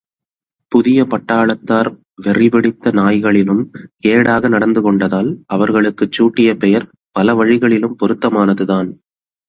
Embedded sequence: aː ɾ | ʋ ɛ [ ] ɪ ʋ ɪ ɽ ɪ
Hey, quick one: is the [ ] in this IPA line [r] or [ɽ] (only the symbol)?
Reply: r